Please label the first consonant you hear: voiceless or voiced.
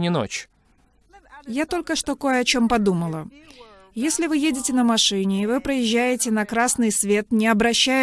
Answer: voiced